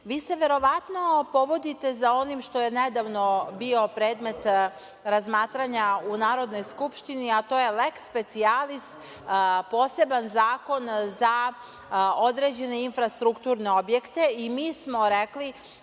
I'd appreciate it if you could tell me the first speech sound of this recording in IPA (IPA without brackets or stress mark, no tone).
ʋ